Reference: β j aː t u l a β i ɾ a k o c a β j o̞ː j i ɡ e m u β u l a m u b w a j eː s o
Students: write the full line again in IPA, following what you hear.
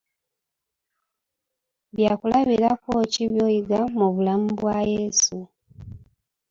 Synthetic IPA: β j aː k u l a β i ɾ a k o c i β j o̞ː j i ɡ a m u β u l a m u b w a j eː s u